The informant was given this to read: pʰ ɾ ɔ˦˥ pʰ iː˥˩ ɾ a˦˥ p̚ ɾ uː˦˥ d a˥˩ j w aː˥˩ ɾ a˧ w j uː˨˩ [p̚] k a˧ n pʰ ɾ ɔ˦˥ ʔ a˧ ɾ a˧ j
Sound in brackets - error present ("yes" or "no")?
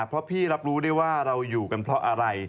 yes